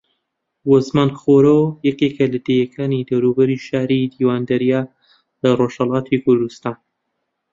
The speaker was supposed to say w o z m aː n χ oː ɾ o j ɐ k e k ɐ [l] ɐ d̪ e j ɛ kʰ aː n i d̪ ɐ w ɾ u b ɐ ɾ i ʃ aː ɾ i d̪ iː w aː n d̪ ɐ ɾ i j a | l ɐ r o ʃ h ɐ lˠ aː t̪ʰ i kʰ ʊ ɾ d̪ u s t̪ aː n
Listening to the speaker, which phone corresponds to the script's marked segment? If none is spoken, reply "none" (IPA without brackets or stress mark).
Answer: l